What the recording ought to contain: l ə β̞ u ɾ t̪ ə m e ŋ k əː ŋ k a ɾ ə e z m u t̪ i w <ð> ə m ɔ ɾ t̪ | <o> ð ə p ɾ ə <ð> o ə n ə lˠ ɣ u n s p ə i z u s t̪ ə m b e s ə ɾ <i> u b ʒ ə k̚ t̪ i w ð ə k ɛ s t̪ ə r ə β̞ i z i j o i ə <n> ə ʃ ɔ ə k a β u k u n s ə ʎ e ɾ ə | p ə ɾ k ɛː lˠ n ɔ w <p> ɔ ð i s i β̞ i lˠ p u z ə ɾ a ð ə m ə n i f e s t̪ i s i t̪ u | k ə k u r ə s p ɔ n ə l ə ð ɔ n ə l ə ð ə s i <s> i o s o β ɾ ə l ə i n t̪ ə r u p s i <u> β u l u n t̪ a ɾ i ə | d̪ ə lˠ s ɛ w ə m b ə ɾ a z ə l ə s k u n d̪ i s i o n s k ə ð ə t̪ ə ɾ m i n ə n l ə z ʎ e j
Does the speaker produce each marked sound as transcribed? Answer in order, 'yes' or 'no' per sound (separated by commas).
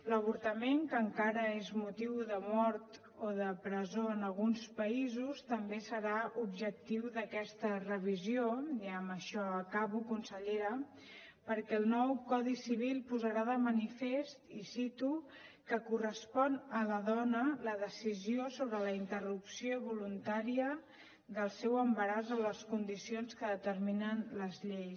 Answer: yes, yes, no, no, no, no, no, no